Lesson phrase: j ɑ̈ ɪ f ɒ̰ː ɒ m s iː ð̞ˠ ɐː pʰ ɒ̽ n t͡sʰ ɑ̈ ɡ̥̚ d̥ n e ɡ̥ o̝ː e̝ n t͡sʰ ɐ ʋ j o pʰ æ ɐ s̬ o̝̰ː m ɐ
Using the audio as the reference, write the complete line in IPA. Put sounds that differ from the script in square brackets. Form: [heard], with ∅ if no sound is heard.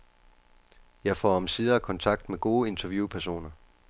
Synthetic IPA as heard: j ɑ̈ ɪ f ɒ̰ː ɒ m s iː ð̞ˠ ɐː [kʰ] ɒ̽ n t͡sʰ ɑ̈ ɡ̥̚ d̥ [m] e ɡ̥ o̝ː e̝ n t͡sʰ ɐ ʋ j [u] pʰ æ ɐ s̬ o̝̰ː [n] ɐ